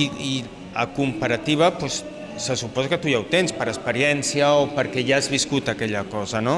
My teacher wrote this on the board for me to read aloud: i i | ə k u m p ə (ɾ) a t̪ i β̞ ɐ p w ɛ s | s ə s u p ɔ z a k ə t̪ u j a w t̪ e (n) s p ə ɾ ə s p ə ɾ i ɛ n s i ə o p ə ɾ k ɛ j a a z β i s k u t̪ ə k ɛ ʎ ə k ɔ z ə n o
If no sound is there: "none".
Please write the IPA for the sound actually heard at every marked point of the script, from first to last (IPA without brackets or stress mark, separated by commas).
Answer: ɾ, n